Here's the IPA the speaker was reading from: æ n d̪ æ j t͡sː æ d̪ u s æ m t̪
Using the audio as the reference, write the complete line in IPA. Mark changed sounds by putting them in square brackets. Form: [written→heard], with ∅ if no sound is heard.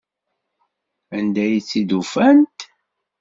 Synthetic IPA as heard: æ n d̪ æ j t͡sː [æ→i] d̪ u [s→f] æ [m→n] t̪